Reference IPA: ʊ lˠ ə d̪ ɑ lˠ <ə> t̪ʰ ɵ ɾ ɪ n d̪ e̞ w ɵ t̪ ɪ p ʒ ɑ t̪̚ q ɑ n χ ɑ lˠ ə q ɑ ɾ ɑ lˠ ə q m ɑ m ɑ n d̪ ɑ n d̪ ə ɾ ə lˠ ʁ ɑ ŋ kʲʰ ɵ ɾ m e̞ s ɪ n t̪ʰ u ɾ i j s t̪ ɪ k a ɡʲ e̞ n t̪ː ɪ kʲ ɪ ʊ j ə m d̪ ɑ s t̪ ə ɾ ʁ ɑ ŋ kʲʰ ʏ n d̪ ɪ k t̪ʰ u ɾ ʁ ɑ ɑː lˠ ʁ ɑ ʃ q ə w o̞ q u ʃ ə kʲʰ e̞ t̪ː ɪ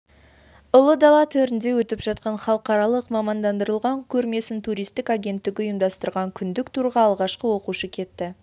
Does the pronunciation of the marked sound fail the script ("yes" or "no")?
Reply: yes